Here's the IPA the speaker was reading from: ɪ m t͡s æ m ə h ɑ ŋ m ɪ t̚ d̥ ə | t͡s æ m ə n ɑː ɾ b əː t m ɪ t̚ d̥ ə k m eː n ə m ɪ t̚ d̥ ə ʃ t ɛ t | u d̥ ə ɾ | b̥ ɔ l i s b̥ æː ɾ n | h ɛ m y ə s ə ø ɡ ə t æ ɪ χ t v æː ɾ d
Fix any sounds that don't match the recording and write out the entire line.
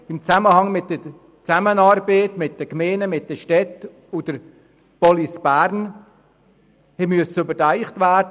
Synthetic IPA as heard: ɪ m t͡s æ m ə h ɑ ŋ m ɪ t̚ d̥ ə | t͡s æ m ə n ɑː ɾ b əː t m ɪ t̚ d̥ ə k m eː n ə m ɪ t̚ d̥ ə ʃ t ɛ t | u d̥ ə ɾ | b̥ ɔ l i s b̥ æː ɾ n | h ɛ m y ə s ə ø b ə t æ ɪ χ t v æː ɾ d